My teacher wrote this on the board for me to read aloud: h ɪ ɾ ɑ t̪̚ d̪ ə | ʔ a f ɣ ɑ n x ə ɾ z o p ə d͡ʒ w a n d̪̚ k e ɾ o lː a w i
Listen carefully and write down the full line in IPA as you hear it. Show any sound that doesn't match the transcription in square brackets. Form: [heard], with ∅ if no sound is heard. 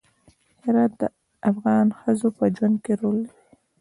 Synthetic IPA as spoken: h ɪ ɾ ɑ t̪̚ d̪ ə | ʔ a f ɣ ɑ n x ə [∅] z o p ə d͡ʒ w a n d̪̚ k e ɾ o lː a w i